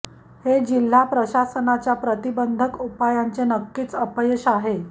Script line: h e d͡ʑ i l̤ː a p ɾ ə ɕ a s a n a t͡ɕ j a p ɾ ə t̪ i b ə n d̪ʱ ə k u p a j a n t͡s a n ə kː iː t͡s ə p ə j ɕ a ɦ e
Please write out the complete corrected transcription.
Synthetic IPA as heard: h e d͡ʑ i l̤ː a p ɾ ə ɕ a s ə n a t͡ɕ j a p ɾ ə t̪ i b ə n d̪ʱ ə k u p a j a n t͡s e n ə kː iː t͡s ə p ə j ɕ a ɦ e